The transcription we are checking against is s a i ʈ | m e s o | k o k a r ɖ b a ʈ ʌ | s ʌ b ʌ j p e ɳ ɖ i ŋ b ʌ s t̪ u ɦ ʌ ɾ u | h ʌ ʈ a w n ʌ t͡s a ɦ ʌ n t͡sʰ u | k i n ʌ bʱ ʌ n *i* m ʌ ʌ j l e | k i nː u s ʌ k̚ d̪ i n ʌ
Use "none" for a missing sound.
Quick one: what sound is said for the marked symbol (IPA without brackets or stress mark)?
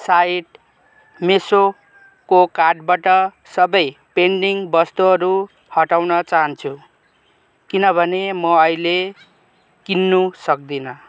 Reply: e